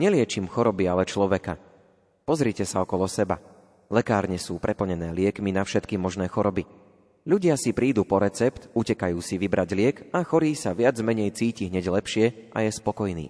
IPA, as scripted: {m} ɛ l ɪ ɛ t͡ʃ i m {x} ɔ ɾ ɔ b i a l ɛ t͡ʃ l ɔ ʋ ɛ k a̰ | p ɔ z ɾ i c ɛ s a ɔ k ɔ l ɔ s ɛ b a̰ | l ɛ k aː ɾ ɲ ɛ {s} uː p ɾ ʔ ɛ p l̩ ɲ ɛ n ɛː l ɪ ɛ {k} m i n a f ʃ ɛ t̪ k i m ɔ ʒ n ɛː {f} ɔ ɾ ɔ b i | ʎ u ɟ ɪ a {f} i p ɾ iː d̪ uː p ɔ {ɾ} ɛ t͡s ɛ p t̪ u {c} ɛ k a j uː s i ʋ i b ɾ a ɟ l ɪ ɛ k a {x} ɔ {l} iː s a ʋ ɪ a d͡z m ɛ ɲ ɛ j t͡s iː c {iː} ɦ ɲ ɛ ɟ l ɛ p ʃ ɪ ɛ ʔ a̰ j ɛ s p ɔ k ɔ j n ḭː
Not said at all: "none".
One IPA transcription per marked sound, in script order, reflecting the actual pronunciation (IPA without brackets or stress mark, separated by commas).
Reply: ɲ, x, s, k, x, s, ɾ, c, x, ɾ, i